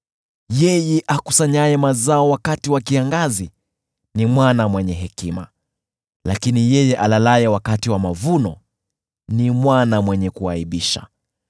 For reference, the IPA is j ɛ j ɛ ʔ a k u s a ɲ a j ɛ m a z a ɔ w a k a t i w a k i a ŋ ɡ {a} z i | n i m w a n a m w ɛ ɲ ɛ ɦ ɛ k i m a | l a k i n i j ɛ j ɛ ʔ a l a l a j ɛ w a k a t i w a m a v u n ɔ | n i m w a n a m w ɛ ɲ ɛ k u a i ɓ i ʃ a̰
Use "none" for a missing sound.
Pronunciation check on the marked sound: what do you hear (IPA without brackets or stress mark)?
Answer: a